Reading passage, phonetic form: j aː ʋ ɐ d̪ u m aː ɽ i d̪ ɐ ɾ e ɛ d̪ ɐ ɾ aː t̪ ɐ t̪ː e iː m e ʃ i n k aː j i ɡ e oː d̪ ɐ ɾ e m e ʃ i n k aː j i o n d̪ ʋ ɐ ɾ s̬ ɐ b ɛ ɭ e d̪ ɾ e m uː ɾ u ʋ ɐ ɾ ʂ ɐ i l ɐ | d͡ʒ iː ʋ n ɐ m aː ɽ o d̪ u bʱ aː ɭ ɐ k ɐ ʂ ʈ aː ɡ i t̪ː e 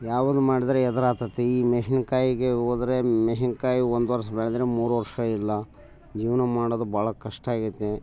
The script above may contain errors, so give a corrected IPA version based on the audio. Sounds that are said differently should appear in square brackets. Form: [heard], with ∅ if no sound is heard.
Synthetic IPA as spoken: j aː ʋ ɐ d̪ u m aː ɽ i d̪ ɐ ɾ e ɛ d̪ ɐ ɾ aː t̪ ɐ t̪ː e iː m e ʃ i n k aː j i ɡ e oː d̪ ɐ ɾ e m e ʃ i n k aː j i o n d̪ ʋ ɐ ɾ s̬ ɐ b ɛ ɭ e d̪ ɾ e m uː ɾ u ʋ ɐ ɾ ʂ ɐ i [lː] ɐ | d͡ʒ iː ʋ n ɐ m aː ɽ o d̪ u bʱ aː ɭ ɐ k ɐ ʂ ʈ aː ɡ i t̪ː e

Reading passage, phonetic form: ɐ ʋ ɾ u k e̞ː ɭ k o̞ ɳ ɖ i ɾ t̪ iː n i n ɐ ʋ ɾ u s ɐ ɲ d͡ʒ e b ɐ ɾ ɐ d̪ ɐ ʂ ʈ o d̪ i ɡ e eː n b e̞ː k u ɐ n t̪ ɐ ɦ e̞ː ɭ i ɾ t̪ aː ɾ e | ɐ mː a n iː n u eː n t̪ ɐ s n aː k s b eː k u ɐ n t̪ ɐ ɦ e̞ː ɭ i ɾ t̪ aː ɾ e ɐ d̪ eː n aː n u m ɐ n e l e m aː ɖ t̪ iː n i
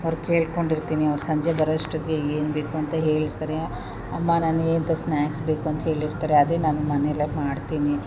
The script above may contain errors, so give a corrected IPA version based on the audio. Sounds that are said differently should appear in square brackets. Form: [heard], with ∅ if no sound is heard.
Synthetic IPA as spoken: ɐ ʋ ɾ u k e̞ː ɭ k o̞ ɳ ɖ i ɾ t̪ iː n i [∅] ɐ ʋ ɾ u s ɐ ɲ d͡ʒ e b ɐ ɾ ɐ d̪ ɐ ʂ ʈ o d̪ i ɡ e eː n b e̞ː k u ɐ n t̪ ɐ ɦ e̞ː ɭ i ɾ t̪ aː ɾ e | ɐ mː a n [aː] n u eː n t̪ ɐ s n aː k s b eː k u ɐ n t̪ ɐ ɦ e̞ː ɭ i ɾ t̪ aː ɾ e ɐ d̪ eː n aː n u m ɐ n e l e m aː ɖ t̪ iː n i

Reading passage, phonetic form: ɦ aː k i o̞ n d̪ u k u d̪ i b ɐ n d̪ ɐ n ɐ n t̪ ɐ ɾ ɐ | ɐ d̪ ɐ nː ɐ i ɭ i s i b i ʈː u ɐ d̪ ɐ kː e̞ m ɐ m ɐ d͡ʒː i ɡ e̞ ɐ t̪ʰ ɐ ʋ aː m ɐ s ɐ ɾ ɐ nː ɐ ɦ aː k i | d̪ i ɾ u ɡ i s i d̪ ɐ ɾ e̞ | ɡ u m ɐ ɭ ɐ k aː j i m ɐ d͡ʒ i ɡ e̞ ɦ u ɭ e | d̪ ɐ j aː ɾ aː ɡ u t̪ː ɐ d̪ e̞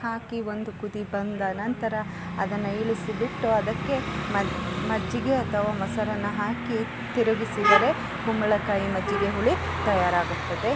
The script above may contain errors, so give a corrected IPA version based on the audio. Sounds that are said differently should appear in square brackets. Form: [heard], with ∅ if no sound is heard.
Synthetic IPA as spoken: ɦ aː k i o̞ n d̪ u k u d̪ i b ɐ n d̪ ɐ n ɐ n t̪ ɐ ɾ ɐ | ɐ d̪ ɐ nː ɐ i ɭ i s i b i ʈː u ɐ d̪ ɐ kː e̞ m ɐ m ɐ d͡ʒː i ɡ e̞ ɐ t̪ʰ ɐ ʋ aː m ɐ s ɐ ɾ ɐ nː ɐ ɦ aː k i | [t̪] i ɾ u ɡ i s i d̪ ɐ ɾ e̞ | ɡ u m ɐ ɭ ɐ k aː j i m ɐ d͡ʒ i ɡ e̞ ɦ u ɭ [i] | [t̪] ɐ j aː ɾ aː ɡ u t̪ː ɐ d̪ e̞

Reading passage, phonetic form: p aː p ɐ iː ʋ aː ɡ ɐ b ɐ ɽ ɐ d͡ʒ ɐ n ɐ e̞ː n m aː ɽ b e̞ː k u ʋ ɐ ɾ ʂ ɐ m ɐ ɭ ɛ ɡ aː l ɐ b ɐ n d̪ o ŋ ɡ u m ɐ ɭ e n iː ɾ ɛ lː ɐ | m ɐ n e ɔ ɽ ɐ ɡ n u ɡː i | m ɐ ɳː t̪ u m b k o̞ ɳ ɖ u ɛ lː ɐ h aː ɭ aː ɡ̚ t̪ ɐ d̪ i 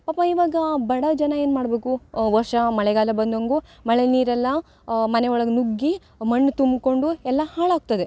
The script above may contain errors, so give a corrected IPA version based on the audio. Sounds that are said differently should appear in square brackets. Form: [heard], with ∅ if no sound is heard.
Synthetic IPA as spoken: p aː p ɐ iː ʋ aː ɡ ɐ b ɐ ɽ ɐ d͡ʒ ɐ n ɐ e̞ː n m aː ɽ b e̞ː k u ʋ ɐ ɾ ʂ ɐ m ɐ ɭ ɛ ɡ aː l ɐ b ɐ n d̪ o ŋ ɡ u m ɐ ɭ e n iː ɾ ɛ lː ɐ | m ɐ n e ɔ [ɭ] ɐ ɡ n u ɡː i | m ɐ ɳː t̪ u m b k o̞ ɳ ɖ u ɛ lː ɐ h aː ɭ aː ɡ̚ t̪ ɐ d̪ [e]

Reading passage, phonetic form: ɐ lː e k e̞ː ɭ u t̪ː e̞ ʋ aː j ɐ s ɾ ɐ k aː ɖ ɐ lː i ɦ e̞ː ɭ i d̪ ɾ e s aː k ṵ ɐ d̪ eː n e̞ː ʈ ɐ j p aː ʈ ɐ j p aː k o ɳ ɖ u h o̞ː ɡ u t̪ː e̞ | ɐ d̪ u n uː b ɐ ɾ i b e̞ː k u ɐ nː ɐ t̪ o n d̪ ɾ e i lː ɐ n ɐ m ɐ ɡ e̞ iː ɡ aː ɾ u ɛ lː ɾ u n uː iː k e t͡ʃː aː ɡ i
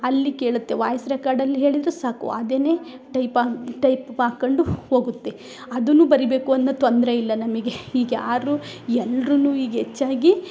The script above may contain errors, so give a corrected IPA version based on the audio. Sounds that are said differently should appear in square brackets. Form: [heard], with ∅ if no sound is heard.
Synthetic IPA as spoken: ɐ lː [i] k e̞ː ɭ u t̪ː e̞ ʋ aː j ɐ s ɾ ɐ k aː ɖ ɐ lː i ɦ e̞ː ɭ i d̪ ɾ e s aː k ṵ ɐ d̪ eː n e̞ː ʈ ɐ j p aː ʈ ɐ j p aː k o ɳ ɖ u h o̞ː ɡ u t̪ː e̞ | ɐ d̪ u n uː b ɐ ɾ i b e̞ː k u ɐ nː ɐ t̪ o n d̪ ɾ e i lː ɐ n ɐ m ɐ ɡ e̞ iː ɡ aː ɾ u ɛ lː ɾ u n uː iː [ɡ] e t͡ʃː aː ɡ i

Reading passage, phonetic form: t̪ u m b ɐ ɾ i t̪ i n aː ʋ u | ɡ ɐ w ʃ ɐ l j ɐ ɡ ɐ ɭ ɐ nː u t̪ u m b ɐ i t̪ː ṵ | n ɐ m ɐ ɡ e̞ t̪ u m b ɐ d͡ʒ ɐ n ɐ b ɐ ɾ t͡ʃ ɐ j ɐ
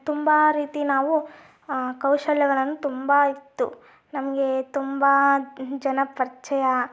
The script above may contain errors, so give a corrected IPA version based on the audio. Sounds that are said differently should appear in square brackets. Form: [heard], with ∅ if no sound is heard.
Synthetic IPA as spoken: t̪ u m b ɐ ɾ [iː] t̪ i n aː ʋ u | [k] ɐ w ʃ ɐ l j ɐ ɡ ɐ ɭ ɐ nː u t̪ u m b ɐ i t̪ː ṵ | n ɐ m ɐ ɡ e̞ t̪ u m b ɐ d͡ʒ ɐ n ɐ [p] ɐ ɾ t͡ʃ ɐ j ɐ

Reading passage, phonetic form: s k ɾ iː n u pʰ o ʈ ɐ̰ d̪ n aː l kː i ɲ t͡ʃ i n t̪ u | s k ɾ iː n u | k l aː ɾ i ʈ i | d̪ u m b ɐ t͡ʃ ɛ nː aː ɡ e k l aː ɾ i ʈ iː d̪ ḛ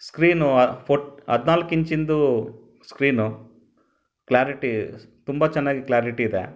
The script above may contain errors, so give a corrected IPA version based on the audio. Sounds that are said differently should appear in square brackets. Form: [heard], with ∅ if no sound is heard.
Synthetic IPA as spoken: s k ɾ iː n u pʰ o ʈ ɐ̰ d̪ n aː l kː i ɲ t͡ʃ i n [d̪] u | s k ɾ iː n u | k l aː ɾ i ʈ i | [t̪] u m b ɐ t͡ʃ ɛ nː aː ɡ [i] k l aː ɾ i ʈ iː d̪ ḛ

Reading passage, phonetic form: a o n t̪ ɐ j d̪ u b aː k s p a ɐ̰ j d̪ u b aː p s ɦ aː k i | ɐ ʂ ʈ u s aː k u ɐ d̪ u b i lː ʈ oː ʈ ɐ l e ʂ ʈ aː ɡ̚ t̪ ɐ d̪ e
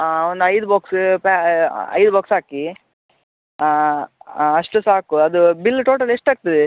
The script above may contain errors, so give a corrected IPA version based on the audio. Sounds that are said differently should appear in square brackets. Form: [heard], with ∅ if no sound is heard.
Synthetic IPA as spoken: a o n [d̪] ɐ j d̪ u b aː k s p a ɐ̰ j d̪ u b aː [k] s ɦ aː k i | ɐ ʂ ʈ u s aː k u ɐ d̪ u b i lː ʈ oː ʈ ɐ l e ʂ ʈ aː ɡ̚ t̪ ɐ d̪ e

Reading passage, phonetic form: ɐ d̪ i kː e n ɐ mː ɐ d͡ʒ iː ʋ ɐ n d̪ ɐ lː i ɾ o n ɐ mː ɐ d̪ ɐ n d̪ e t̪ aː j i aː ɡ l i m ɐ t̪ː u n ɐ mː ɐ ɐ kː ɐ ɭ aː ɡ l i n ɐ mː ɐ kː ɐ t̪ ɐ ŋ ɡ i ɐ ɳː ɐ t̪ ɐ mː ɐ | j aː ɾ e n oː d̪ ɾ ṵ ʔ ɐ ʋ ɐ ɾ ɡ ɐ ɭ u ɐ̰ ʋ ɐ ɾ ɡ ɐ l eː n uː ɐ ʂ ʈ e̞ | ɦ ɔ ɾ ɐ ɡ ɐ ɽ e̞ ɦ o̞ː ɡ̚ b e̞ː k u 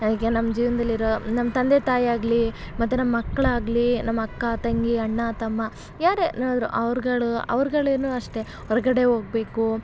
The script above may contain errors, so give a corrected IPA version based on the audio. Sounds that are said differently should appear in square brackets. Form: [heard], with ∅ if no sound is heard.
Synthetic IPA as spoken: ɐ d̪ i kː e n ɐ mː ɐ d͡ʒ iː ʋ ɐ n d̪ ɐ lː i ɾ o n ɐ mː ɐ [t̪] ɐ n d̪ e t̪ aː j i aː ɡ l i m ɐ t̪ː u n ɐ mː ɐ ɐ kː ɐ ɭ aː ɡ l i n ɐ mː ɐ kː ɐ t̪ ɐ ŋ ɡ i ɐ ɳː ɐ t̪ ɐ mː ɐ | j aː ɾ e n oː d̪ ɾ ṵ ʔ ɐ ʋ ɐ ɾ ɡ ɐ ɭ u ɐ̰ ʋ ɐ ɾ ɡ ɐ [ɭ] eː n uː ɐ ʂ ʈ e̞ | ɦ ɔ ɾ ɐ ɡ ɐ ɽ e̞ ɦ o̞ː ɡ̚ b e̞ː k u

